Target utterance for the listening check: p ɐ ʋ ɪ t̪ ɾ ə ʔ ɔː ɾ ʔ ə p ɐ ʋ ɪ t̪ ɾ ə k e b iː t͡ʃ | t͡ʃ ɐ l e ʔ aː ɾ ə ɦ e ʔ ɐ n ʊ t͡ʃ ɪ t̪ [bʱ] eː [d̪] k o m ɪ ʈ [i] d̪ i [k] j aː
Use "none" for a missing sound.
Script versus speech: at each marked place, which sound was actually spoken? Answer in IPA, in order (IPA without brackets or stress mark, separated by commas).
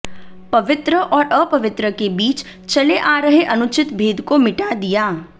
bʱ, d̪, a, none